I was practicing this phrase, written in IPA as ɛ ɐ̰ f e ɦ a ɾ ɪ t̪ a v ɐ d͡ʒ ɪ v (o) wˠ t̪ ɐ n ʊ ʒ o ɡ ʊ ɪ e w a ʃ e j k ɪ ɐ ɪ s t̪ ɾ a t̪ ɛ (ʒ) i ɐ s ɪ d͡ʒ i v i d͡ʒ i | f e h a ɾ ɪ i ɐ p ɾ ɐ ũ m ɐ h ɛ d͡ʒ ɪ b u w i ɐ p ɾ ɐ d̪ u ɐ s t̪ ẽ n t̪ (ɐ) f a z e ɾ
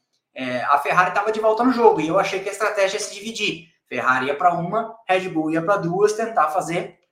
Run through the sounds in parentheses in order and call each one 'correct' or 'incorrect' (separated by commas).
incorrect, correct, incorrect